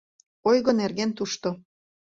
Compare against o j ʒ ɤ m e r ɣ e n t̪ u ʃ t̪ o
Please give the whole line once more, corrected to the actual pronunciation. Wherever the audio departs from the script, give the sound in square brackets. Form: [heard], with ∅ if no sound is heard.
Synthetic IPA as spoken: o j [ɣ] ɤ [n] e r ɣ e n t̪ u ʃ t̪ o